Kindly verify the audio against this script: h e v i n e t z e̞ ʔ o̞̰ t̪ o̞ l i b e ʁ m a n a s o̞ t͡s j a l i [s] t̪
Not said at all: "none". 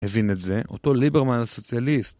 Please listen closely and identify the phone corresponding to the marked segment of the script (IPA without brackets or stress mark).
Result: s